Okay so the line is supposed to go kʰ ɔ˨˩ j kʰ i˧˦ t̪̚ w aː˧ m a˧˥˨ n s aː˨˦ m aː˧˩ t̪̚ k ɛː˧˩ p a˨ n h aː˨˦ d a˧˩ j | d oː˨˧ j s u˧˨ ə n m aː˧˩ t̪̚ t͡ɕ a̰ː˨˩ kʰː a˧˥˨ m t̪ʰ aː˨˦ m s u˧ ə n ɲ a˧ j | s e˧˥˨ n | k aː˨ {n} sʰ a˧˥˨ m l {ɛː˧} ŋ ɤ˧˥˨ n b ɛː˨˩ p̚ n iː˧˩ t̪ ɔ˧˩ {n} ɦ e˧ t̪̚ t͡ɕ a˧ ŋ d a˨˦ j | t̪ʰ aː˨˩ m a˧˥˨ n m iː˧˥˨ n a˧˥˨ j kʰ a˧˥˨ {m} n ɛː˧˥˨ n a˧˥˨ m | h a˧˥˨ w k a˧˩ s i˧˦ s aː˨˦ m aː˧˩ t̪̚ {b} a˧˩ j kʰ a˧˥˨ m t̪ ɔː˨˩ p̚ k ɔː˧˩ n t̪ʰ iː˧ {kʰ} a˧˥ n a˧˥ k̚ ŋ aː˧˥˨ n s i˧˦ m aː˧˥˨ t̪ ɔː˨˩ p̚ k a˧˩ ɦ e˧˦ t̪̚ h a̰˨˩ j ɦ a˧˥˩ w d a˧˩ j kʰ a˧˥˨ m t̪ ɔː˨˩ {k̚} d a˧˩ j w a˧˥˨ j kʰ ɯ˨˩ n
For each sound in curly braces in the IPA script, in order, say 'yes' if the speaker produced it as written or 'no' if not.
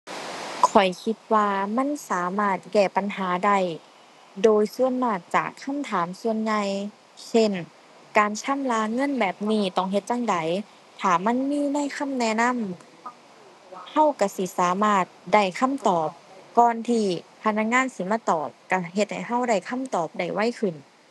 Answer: yes, no, no, yes, no, no, no

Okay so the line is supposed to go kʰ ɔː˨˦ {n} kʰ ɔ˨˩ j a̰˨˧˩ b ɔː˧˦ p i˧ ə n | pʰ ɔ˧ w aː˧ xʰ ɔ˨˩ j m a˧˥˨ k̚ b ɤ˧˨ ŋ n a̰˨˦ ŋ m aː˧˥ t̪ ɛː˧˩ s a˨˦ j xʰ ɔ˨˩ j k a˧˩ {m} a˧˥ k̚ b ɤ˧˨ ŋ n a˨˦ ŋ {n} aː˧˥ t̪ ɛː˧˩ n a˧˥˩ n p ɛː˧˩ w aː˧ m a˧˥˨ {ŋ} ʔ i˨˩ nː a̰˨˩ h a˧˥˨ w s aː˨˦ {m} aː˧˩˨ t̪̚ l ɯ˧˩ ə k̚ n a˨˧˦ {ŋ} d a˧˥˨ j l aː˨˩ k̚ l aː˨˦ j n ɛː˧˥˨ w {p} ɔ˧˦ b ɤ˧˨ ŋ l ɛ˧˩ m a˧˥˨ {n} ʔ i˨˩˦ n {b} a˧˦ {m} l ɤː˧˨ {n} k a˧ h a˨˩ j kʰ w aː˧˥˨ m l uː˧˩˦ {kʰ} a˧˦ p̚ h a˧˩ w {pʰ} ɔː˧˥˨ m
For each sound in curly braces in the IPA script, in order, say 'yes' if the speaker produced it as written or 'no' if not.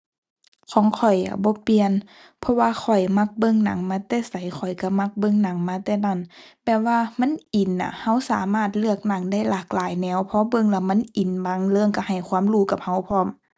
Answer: no, yes, no, no, yes, yes, no, yes, yes, no, no, no, yes

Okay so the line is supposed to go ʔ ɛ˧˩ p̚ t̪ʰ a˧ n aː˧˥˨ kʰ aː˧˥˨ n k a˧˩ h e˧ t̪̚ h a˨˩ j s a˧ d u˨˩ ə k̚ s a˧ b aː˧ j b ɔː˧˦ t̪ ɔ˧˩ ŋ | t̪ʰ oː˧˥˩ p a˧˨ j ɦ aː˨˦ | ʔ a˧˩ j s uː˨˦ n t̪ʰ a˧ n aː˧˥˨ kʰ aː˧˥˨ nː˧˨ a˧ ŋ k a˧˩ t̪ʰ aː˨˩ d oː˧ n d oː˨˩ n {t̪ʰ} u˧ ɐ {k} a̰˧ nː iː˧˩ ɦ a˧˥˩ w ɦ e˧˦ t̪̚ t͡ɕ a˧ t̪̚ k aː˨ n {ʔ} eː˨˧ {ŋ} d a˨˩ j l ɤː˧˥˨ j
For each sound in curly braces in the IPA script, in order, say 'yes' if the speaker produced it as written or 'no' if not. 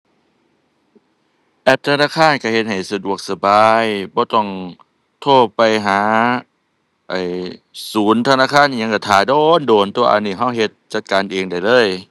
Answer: no, no, yes, yes

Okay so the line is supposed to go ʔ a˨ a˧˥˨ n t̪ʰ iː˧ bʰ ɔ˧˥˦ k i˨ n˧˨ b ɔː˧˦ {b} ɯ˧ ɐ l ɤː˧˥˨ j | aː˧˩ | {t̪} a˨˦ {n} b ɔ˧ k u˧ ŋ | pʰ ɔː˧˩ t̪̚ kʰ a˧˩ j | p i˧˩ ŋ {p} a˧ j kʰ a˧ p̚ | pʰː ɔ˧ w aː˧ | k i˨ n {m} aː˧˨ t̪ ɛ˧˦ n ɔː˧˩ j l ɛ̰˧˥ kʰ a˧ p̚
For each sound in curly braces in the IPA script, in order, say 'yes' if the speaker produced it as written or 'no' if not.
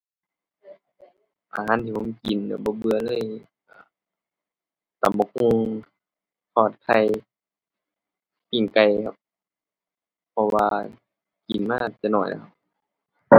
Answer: yes, yes, no, no, yes

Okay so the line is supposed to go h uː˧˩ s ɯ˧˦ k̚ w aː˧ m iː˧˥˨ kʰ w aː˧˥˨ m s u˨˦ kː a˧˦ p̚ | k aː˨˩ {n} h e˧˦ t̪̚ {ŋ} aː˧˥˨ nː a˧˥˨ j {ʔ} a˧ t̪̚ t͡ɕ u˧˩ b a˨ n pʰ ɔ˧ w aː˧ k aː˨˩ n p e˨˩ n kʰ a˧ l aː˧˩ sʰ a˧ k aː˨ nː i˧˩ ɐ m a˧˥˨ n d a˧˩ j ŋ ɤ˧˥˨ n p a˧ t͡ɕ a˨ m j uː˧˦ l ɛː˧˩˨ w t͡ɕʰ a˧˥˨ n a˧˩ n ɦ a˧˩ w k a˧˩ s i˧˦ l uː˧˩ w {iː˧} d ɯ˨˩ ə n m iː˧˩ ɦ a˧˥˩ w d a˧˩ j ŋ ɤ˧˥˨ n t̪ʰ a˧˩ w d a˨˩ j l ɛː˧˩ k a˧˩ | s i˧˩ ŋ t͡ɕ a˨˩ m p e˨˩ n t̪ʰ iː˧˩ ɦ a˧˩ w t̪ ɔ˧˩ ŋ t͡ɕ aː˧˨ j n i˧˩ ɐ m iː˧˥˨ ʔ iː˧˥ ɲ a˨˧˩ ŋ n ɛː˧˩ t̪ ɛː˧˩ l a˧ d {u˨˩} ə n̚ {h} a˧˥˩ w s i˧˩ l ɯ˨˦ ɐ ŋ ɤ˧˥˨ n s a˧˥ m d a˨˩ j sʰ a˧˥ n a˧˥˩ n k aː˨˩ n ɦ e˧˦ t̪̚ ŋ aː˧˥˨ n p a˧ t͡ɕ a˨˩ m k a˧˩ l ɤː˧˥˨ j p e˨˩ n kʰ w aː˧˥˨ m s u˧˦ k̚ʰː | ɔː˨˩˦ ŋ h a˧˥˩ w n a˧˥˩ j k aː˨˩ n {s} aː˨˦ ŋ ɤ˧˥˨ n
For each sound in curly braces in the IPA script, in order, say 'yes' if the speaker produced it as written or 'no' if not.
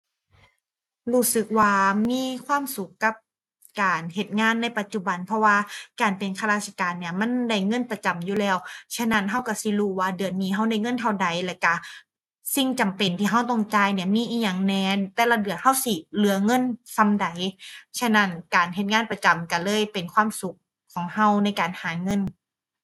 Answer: yes, yes, no, no, no, yes, no

